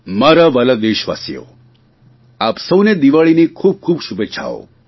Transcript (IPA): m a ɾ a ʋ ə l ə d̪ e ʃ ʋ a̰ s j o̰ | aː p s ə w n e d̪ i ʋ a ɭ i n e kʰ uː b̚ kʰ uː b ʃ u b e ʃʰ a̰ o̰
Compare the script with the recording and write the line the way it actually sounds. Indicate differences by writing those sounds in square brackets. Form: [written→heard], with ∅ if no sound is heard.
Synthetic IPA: m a ɾ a ʋ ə l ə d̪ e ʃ ʋ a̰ s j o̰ | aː p s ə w n e d̪ i ʋ a ɭ i n [e→i] kʰ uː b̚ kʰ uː b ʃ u b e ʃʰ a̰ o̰